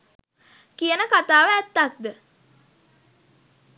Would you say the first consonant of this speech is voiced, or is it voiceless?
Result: voiceless